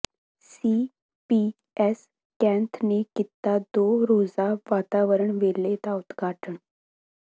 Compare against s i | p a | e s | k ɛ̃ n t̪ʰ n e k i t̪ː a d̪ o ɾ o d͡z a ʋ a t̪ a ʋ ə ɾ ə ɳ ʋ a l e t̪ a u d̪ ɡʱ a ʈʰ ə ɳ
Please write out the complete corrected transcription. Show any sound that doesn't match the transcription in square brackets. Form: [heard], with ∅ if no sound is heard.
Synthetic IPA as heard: s i | p [i] | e s | k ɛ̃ n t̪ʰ n e k i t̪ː a d̪ o ɾ o d͡z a ʋ a t̪ a ʋ ə ɾ ə ɳ ʋ [e] l e t̪ a u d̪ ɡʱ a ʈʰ ə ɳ